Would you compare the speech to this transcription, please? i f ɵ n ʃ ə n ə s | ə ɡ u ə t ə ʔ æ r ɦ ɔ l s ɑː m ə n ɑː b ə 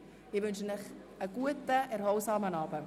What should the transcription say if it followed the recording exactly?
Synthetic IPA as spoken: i v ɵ n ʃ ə n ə χ | ə ɡ u ə t ə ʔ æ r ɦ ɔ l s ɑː m ə n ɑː b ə